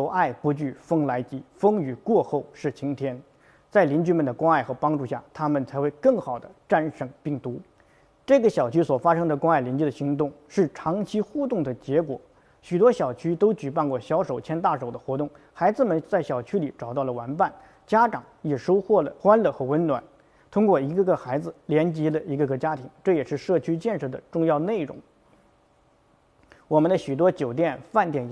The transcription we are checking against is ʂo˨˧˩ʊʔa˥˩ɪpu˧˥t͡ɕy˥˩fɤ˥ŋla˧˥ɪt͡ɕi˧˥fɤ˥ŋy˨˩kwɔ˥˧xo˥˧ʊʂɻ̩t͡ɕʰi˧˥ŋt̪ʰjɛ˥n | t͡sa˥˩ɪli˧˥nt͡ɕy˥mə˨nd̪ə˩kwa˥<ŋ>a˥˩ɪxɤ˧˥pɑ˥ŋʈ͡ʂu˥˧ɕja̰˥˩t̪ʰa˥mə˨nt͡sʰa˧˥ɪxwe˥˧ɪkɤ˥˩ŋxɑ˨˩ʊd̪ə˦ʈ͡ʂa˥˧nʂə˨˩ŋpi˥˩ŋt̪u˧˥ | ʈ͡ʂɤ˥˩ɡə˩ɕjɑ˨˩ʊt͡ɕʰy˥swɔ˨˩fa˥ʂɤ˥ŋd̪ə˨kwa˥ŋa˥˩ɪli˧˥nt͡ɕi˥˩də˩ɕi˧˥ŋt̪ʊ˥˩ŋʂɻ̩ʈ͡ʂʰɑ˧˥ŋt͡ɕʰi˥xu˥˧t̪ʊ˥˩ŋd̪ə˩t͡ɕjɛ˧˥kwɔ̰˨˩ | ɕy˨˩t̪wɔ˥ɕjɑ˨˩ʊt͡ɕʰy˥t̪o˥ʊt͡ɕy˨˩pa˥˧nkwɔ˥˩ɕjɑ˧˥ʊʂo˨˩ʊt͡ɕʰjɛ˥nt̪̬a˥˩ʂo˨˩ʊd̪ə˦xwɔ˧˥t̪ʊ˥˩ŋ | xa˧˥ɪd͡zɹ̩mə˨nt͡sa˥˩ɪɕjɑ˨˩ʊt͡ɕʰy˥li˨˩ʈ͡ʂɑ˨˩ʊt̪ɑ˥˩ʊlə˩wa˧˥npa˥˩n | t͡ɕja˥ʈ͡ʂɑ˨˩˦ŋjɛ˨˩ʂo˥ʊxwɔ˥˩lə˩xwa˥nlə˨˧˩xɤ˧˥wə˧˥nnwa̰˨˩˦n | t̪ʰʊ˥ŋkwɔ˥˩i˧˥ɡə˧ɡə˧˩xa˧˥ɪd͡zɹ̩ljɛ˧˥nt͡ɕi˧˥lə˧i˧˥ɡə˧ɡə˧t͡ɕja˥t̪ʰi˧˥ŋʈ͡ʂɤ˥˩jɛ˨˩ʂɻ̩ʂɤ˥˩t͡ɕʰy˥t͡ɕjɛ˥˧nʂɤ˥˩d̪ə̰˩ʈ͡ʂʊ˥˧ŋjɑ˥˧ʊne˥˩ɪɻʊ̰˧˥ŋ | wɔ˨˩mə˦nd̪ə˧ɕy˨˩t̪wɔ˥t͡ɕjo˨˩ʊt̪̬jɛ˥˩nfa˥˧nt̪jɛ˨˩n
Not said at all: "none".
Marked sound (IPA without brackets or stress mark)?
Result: ŋ